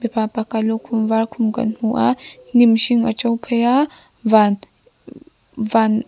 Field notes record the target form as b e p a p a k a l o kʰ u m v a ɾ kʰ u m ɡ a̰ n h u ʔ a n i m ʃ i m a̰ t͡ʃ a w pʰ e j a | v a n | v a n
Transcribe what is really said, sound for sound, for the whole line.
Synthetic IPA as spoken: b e p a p a k a l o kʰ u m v a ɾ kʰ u m ɡ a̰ n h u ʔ a n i m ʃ i ŋ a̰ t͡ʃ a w pʰ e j a | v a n | v a n